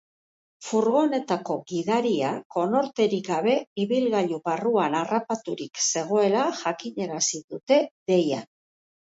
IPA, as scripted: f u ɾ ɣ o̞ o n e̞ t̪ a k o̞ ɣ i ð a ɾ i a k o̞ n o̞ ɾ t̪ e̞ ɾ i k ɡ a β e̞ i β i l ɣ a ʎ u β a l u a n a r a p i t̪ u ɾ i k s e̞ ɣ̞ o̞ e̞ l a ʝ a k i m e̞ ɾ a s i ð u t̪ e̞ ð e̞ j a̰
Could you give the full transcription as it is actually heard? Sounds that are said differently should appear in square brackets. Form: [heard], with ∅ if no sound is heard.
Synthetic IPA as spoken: f u ɾ ɣ o̞ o n e̞ t̪ a k o̞ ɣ i ð a ɾ i a k o̞ n o̞ ɾ t̪ e̞ ɾ i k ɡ a β e̞ i β i l ɣ a ʎ u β a [r] u a n a r a p [a] t̪ u ɾ i k s e̞ ɣ̞ o̞ e̞ l a ʝ a k i [ɲ] e̞ ɾ a s i ð u t̪ e̞ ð e̞ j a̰